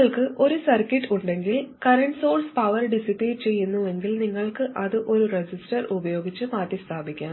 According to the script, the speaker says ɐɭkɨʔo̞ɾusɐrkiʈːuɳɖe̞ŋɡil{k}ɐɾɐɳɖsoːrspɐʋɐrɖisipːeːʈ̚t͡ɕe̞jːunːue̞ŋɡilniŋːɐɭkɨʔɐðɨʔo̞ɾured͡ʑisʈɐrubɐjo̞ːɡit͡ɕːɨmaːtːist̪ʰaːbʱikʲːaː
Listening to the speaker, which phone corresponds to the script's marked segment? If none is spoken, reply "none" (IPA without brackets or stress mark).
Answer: k